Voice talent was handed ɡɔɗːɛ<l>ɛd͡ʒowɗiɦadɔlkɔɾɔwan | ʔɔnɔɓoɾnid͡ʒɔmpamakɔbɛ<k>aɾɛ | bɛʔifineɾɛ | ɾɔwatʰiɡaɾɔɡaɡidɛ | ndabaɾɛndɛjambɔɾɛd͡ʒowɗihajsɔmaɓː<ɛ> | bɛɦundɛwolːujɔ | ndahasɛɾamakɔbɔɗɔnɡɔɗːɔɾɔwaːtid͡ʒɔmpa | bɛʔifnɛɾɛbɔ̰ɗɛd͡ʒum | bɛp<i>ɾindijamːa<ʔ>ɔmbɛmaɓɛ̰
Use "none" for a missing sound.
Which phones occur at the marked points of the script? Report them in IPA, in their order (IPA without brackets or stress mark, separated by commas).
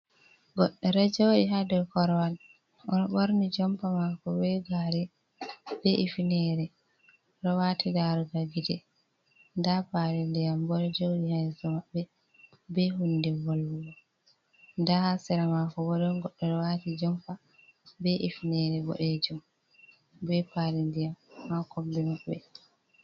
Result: ɾ, ɡ, ɛ, a, k